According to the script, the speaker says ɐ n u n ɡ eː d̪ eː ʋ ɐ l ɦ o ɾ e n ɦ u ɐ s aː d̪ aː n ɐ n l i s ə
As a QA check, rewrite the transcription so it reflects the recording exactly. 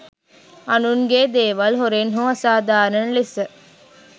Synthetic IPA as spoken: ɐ n u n ɡ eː d̪ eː ʋ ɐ l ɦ o ɾ e n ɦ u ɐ s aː d̪ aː n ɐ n l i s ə